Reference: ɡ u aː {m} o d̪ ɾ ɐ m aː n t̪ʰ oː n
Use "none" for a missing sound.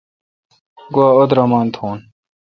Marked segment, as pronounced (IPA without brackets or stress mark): none